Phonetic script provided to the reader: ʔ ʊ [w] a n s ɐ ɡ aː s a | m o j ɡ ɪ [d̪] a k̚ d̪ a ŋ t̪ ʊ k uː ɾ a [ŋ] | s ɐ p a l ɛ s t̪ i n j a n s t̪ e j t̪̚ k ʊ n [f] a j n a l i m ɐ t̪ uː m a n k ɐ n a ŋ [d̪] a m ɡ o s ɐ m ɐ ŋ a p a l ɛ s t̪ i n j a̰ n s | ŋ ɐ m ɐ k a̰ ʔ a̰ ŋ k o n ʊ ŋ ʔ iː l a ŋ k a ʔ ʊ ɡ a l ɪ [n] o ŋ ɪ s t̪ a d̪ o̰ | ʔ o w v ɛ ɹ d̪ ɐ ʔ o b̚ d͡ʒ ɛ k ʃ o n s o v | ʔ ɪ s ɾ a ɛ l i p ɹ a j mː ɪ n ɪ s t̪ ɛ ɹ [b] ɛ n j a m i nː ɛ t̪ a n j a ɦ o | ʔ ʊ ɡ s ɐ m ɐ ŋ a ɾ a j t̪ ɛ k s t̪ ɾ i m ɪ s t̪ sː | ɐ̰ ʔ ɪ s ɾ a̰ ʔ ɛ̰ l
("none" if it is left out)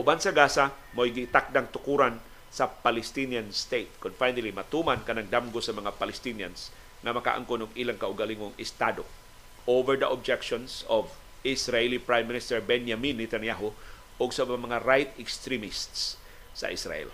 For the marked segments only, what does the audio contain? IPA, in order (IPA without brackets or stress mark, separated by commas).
b, t̪, n, f, d̪, ŋ, b